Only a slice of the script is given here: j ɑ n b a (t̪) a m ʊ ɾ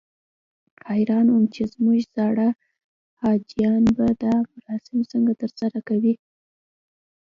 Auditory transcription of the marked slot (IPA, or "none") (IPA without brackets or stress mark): d̪